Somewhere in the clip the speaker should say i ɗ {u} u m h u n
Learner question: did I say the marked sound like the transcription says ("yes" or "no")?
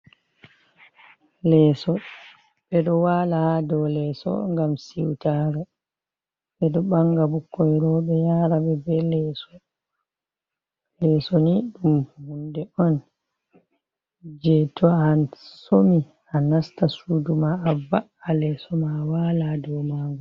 yes